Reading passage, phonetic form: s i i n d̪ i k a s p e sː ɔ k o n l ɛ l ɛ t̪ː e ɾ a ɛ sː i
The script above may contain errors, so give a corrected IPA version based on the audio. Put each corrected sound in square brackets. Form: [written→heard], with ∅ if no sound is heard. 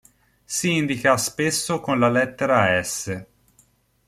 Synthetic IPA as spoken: s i i n d̪ i k a s p e sː [ɔ→o] k o n l [ɛ→a] l ɛ t̪ː e ɾ a ɛ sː [i→e]